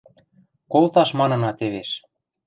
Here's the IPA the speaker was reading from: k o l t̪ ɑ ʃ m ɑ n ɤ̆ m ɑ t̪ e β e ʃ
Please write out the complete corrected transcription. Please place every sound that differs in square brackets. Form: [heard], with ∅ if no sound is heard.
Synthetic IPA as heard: k o l t̪ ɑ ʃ m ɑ n ɤ̆ [n] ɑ t̪ e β e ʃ